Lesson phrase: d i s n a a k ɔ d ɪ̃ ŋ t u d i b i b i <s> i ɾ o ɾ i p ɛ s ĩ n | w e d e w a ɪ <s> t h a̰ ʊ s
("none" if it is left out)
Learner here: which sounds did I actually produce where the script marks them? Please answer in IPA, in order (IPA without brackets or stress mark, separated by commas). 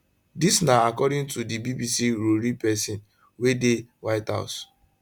s, none